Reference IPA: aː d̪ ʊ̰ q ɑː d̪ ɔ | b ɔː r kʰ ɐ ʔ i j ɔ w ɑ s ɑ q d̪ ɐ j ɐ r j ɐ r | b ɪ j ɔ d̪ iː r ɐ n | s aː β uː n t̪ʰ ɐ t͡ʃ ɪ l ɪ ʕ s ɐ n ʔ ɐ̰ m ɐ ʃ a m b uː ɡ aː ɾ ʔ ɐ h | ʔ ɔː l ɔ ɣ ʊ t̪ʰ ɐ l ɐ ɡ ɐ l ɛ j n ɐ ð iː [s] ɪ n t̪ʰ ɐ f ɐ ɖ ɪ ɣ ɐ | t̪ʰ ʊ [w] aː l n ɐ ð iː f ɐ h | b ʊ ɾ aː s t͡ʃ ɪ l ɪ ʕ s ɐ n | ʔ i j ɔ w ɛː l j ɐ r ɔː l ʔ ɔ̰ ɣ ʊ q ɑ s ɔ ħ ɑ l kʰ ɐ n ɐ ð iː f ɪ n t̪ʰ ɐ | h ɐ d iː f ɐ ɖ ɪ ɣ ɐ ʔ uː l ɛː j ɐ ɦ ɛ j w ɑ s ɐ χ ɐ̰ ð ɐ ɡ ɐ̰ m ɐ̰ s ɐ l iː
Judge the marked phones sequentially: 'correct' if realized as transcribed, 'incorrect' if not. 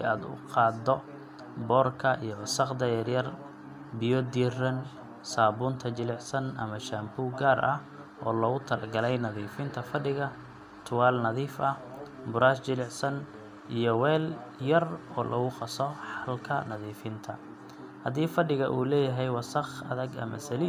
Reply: incorrect, correct

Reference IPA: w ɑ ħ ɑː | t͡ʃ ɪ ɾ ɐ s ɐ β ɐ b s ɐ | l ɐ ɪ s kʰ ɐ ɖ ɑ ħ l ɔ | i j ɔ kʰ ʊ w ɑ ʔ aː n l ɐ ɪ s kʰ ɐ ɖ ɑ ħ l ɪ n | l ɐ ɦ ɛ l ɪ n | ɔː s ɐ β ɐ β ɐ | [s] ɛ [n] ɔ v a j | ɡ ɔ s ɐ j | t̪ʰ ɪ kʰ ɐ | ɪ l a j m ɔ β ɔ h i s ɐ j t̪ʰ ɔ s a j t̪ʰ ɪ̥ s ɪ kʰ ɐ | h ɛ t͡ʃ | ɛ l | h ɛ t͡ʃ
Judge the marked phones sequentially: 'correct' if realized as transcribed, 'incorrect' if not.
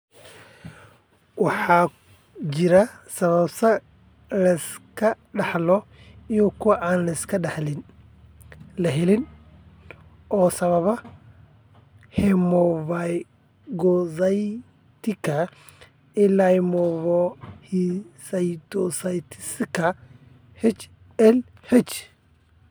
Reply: incorrect, incorrect

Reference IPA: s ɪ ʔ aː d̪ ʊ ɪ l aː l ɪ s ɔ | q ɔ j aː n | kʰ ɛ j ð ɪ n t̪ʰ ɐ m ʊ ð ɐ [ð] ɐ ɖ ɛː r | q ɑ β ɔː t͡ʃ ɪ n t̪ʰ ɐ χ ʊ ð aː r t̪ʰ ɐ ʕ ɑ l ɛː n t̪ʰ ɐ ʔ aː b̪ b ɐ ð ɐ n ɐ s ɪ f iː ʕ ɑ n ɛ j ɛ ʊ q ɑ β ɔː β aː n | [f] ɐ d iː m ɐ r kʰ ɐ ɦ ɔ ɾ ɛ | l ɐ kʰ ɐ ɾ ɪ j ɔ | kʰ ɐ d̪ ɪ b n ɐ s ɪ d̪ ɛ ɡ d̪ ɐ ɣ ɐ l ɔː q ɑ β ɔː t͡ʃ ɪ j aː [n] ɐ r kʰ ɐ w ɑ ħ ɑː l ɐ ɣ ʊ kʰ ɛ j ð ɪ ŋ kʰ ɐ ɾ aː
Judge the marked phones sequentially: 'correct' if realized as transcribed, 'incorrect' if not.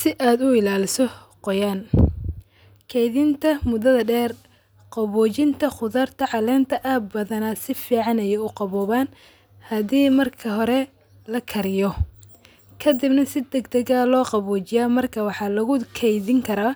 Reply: correct, incorrect, incorrect

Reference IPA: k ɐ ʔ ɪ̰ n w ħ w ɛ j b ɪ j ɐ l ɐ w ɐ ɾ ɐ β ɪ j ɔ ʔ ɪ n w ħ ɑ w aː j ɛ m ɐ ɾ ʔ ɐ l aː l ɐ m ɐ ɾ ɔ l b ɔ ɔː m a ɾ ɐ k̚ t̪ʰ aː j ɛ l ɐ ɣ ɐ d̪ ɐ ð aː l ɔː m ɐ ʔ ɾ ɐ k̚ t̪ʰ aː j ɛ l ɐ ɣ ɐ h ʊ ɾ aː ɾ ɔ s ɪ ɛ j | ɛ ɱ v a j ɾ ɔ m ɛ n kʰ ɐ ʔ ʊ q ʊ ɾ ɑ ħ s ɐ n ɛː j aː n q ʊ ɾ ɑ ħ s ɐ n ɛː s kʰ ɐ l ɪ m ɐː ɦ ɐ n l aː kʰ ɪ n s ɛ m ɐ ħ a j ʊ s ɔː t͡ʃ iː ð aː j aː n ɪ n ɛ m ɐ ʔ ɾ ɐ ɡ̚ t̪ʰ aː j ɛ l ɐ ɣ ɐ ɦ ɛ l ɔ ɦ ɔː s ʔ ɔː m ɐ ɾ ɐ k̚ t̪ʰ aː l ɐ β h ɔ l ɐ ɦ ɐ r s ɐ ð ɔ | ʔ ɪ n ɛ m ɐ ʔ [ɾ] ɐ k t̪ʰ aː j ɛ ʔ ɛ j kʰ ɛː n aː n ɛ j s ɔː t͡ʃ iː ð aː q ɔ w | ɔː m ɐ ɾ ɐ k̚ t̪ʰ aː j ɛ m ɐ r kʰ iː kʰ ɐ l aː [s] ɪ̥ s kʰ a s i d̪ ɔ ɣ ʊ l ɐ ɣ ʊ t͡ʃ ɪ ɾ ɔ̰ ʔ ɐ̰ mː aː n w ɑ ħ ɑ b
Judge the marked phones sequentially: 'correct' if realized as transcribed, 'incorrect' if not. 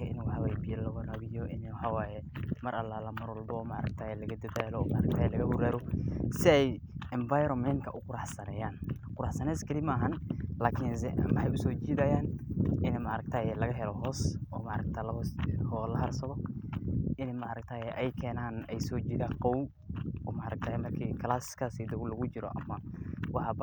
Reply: correct, correct

